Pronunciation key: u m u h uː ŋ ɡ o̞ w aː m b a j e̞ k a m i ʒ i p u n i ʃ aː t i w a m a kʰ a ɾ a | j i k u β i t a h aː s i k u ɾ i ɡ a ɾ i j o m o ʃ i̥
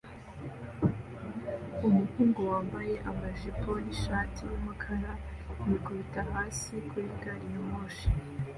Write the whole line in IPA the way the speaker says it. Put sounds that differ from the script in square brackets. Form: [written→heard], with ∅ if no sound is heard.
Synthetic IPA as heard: u m u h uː ŋ ɡ o̞ w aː m b a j e̞ [k→ʔ] a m [i→a] ʒ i p [u→o] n i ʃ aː t i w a m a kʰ a ɾ a | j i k u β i t a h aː s i k u ɾ i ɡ a ɾ i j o m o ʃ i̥